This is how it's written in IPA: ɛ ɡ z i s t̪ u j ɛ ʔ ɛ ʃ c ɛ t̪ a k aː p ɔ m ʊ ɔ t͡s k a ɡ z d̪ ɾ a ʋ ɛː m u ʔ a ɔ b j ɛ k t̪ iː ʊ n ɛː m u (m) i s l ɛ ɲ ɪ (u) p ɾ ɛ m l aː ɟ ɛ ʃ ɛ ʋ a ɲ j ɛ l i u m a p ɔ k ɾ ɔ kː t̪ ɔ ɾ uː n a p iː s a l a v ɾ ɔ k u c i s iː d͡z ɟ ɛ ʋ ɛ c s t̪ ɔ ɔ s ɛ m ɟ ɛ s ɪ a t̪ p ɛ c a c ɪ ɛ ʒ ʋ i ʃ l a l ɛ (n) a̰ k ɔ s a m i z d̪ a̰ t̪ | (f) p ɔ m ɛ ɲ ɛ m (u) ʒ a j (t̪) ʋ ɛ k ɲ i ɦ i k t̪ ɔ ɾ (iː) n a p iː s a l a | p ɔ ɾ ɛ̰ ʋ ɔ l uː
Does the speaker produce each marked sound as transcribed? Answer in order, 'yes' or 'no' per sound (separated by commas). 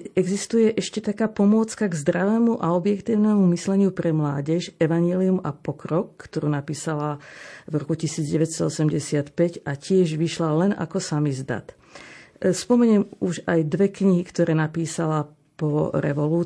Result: yes, yes, yes, no, yes, no, no